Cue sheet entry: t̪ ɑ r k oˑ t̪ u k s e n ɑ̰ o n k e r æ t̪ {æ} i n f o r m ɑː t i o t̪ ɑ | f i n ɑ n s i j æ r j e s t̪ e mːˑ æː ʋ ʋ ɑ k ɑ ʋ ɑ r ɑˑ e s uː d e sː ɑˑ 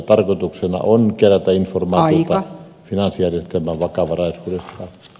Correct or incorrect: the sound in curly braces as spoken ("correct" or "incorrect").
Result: correct